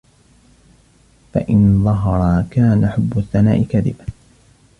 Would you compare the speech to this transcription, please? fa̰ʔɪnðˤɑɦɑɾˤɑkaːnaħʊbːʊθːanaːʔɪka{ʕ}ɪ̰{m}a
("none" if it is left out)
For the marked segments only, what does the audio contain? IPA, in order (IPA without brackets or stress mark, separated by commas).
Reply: ð, b